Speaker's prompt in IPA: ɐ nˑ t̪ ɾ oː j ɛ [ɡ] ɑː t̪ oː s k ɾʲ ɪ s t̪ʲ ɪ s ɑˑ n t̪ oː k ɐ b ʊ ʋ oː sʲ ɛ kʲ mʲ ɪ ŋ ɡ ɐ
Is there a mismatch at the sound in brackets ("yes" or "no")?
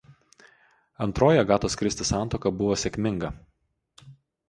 no